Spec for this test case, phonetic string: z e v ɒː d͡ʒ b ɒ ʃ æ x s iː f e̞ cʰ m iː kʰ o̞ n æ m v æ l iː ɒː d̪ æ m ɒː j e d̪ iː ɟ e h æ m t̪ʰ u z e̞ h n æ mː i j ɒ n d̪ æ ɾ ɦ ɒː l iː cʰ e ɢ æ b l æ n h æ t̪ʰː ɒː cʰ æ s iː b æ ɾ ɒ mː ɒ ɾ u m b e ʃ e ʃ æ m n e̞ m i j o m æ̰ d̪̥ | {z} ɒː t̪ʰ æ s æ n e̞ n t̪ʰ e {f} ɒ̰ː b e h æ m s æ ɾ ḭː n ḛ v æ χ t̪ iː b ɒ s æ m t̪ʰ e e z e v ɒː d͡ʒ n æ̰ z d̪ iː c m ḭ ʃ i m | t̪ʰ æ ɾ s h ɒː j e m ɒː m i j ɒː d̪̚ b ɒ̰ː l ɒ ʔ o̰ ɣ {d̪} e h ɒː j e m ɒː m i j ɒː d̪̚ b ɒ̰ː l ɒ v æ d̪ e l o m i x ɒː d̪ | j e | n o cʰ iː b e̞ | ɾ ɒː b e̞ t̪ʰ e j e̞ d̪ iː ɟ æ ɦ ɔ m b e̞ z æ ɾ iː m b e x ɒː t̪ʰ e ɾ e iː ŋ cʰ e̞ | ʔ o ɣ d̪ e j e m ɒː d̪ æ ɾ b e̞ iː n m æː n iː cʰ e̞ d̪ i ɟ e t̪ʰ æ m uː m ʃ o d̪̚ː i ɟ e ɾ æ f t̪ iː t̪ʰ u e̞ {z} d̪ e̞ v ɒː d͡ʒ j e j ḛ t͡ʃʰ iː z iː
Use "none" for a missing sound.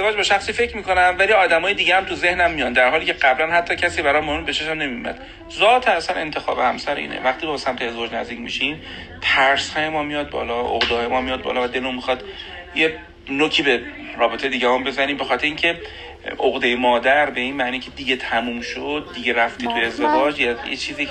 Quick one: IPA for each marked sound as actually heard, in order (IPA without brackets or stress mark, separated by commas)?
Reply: z, x, d̪, z